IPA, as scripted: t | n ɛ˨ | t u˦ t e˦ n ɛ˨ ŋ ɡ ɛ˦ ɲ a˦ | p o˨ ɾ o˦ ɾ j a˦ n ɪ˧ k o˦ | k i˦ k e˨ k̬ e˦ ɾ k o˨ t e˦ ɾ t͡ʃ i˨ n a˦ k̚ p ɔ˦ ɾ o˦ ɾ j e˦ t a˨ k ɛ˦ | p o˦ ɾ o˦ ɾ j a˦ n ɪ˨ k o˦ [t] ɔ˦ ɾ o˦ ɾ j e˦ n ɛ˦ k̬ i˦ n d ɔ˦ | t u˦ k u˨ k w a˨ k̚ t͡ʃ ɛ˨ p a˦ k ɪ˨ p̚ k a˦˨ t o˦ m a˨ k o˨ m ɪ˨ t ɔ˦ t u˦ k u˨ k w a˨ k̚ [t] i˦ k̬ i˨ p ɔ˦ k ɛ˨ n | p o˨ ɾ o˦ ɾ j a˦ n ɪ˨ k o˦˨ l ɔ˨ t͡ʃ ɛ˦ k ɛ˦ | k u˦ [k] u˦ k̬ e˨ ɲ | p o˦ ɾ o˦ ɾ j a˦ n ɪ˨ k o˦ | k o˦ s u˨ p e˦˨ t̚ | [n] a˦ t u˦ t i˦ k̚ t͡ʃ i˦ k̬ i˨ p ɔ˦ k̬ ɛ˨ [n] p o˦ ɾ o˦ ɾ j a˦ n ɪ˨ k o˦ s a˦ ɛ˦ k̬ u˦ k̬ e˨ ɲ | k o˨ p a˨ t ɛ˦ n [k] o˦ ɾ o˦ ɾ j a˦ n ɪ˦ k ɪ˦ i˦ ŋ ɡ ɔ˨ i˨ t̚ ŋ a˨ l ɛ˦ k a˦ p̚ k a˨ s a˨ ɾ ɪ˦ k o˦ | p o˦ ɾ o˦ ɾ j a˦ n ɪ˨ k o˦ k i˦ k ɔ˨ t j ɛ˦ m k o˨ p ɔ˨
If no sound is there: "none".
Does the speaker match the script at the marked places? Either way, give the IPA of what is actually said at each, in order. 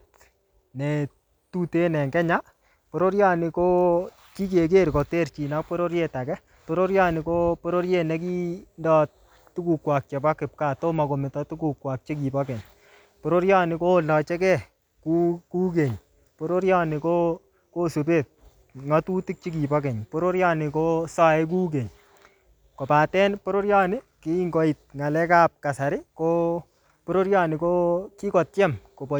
p, t͡ʃ, k, ŋ, ɲ, p

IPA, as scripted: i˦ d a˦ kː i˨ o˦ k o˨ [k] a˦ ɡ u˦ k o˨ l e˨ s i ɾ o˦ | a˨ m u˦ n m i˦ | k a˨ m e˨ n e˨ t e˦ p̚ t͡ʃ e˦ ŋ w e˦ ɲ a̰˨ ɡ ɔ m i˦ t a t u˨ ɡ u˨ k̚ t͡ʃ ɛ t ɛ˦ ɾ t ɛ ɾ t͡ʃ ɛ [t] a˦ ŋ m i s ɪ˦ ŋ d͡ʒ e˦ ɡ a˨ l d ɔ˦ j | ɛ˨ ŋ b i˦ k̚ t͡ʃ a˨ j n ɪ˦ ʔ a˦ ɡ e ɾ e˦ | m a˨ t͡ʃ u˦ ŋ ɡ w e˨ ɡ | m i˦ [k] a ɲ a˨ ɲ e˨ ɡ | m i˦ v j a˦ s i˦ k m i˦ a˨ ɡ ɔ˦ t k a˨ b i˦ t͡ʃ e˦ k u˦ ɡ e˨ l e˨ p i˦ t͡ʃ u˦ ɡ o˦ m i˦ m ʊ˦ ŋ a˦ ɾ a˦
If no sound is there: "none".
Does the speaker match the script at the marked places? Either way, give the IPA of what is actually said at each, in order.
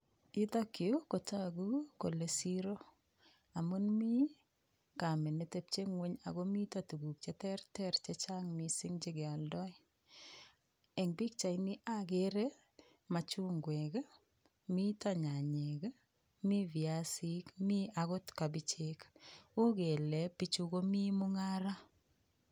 t, t͡ʃ, t

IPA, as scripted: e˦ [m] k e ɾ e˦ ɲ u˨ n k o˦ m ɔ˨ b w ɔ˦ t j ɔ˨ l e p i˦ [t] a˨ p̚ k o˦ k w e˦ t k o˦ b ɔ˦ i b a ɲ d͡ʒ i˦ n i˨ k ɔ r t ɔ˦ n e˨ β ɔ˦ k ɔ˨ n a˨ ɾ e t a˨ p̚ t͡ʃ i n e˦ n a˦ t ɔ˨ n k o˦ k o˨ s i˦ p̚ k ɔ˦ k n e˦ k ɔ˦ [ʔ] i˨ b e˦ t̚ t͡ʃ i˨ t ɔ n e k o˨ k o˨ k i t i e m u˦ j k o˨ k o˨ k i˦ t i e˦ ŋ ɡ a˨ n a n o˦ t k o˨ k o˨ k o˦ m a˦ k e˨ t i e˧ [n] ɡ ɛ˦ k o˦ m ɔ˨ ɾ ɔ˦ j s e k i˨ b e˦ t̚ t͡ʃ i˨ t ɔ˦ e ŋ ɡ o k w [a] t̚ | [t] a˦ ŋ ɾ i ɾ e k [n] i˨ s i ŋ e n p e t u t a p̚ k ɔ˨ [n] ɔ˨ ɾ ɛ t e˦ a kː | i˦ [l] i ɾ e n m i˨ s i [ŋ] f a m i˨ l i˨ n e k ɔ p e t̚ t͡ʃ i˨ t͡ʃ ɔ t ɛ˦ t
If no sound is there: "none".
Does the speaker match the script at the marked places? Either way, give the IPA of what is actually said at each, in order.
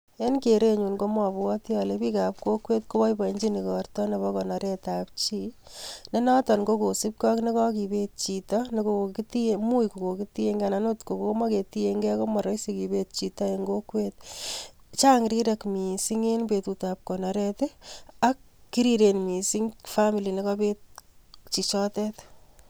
n, k, k, ŋ, e, t͡ʃ, m, n, ɾ, ŋ

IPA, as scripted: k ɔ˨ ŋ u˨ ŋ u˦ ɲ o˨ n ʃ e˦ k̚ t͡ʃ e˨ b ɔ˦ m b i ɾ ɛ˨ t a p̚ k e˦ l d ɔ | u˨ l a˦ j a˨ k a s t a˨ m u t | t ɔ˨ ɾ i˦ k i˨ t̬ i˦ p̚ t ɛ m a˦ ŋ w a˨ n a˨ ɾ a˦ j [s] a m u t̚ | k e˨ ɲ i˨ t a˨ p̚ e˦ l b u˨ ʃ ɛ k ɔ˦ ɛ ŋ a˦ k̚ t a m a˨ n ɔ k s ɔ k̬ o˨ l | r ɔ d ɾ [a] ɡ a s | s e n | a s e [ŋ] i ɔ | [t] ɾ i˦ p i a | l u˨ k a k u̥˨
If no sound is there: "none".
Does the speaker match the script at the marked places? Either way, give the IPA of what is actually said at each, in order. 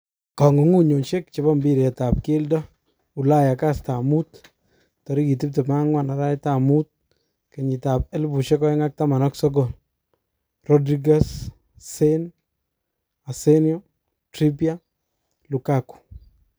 t, i, n, t

